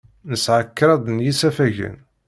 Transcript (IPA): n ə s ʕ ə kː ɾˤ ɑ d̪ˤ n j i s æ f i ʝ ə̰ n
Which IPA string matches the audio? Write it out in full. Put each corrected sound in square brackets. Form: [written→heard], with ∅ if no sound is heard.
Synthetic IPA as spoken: n ə s ʕ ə kː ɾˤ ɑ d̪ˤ n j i s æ f [i→æ] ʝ ə̰ n